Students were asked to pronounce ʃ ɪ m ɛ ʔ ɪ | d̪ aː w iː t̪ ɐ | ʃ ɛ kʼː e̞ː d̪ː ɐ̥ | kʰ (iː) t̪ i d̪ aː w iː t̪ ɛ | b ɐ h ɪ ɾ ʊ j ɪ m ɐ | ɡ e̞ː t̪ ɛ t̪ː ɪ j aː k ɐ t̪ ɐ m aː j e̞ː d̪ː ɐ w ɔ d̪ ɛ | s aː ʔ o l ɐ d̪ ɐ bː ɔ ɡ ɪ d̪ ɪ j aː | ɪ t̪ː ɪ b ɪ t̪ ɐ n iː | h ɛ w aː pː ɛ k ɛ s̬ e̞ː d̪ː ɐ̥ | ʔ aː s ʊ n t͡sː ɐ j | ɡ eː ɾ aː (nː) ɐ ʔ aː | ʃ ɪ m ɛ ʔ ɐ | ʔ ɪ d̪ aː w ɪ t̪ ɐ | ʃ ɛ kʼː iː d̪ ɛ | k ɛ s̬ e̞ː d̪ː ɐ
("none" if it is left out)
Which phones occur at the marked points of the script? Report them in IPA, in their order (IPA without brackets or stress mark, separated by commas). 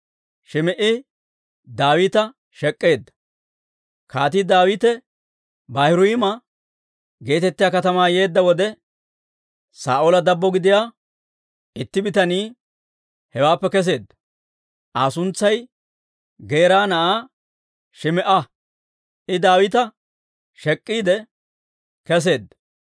aː, n